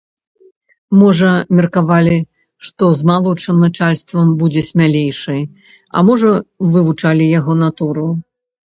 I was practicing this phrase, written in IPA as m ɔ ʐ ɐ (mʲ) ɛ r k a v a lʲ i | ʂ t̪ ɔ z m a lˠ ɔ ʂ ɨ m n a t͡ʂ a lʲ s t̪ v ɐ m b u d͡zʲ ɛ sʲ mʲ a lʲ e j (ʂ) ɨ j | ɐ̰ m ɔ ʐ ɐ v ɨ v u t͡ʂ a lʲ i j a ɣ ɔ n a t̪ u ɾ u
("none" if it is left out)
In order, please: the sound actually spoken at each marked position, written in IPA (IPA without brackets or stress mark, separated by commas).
mʲ, ʂ